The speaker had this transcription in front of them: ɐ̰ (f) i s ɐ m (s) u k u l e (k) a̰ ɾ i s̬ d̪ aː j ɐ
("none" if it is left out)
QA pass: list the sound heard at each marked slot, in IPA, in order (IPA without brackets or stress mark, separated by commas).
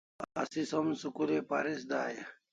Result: s, s, p